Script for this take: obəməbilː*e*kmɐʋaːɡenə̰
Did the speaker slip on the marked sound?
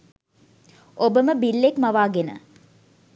no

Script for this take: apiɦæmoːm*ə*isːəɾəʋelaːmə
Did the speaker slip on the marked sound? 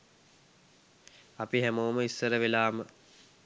no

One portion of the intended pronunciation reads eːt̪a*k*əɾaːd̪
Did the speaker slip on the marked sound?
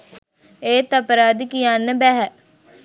yes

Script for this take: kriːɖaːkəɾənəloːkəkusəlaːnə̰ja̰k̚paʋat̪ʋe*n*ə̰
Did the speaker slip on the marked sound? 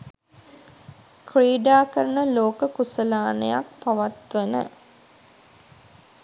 no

